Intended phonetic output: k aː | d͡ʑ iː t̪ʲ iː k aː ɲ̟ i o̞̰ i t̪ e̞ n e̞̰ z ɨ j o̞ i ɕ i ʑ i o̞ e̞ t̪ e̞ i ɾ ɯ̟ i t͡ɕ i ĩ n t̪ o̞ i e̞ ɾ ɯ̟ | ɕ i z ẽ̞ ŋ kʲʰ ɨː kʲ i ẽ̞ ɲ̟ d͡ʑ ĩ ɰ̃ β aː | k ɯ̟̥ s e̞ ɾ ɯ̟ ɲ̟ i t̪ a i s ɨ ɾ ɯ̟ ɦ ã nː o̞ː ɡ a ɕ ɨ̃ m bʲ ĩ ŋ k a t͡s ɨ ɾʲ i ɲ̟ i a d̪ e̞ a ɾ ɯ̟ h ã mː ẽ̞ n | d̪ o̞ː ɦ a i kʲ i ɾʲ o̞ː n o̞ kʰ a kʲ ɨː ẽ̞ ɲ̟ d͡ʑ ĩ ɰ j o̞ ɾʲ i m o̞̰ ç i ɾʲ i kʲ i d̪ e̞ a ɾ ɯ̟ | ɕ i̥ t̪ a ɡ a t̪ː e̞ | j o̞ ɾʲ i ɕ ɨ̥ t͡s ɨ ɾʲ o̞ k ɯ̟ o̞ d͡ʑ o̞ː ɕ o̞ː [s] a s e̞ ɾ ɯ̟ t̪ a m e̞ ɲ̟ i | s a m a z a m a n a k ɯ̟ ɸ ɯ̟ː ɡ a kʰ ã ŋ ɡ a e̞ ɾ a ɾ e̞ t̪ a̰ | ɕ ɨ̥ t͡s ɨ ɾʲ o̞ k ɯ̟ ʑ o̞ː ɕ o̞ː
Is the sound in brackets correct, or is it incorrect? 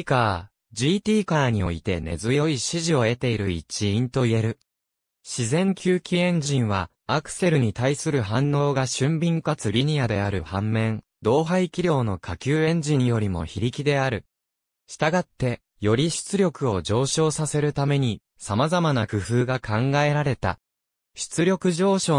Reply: correct